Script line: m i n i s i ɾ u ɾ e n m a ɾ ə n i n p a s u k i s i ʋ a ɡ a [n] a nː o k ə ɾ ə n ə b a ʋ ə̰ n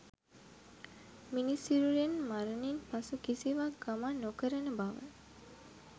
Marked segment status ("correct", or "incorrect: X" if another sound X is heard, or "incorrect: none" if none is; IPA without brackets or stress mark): incorrect: m